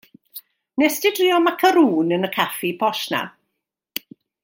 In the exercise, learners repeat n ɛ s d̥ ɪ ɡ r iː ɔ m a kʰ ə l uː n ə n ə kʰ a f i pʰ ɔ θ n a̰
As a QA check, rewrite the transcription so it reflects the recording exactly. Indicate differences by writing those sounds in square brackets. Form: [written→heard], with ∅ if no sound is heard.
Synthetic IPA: n ɛ s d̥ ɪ [ɡ→d] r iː ɔ m a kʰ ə [l→ɾ] uː n ə n ə kʰ a f i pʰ ɔ [θ→ʃ] n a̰